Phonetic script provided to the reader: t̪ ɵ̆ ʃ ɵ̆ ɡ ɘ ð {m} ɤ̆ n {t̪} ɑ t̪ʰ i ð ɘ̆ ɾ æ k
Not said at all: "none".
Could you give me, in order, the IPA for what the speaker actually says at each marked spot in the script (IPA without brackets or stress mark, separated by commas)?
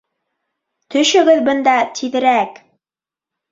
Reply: b, d̪